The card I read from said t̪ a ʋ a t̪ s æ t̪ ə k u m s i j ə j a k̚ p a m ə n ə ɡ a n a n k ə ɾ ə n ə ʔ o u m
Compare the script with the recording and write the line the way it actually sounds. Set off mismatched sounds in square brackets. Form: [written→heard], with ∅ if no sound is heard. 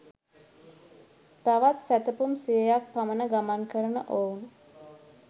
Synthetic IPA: t̪ a ʋ a t̪ s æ t̪ ə [k→p] u m s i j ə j a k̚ p a m ə n ə ɡ a [n→m] a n k ə ɾ ə n ə ʔ o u [m→n]